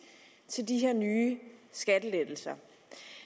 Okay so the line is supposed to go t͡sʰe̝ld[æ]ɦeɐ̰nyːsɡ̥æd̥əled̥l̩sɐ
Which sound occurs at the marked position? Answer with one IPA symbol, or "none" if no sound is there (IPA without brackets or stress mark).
i